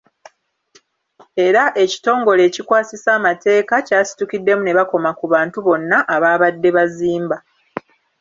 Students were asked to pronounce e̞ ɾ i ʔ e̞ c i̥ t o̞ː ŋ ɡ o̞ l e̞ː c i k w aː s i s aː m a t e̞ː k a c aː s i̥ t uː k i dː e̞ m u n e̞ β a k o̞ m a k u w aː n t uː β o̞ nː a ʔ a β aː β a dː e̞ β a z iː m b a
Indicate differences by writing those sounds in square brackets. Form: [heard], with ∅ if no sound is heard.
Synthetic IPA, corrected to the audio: e̞ ɾ [a] ʔ e̞ c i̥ t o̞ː ŋ ɡ o̞ l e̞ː c i k w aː s i s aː m a t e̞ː k a c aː s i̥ t [u] k i dː e̞ m u n e̞ β a k o̞ m a k u [β] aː n t [u] β o̞ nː a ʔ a β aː β a dː e̞ β a z iː m b a

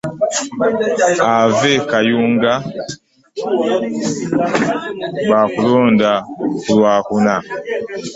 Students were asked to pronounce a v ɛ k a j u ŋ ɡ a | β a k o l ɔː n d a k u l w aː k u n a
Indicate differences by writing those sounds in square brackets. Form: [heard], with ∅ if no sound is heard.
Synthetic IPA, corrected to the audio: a v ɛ k a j u ŋ ɡ a | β a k [u] l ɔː n d a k u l w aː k u n a

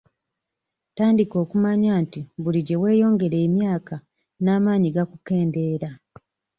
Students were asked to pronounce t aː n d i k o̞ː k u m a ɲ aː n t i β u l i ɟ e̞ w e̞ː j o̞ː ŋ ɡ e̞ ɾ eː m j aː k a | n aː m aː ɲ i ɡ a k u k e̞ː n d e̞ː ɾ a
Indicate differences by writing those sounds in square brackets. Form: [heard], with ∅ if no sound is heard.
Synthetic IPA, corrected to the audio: t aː n d i k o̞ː k u m a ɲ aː n t i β u l i ɟ e̞ w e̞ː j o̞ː ŋ ɡ e̞ ɾ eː m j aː k a | n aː m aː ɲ i ɡ a k u k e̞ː n d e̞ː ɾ a

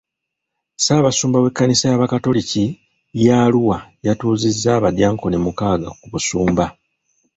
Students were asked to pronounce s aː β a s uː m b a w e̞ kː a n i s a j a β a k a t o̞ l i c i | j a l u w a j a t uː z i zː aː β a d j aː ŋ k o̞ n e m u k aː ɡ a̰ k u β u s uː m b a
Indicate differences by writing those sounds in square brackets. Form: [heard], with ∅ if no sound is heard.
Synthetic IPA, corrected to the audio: s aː β a s uː m b a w e̞ kː a n i s a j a β a k a t o̞ l i c i | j a l u w a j a t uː z i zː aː β a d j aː ŋ k o̞ n e m u k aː ɡ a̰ k u β u s uː m b a

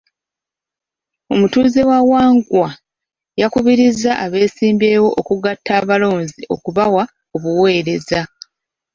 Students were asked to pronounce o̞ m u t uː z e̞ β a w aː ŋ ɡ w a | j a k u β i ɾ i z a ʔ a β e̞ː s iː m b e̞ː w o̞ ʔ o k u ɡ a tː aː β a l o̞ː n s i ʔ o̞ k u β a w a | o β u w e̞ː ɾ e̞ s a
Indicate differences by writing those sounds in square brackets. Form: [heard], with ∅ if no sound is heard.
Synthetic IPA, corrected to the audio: o̞ m u t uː z e̞ [w] a w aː ŋ ɡ w a | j a k u β i ɾ i z a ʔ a β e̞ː s iː m b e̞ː w o̞ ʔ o k u ɡ a tː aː β a l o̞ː n [z] i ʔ o̞ k u β a w a | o β u w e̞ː ɾ e̞ [z] a

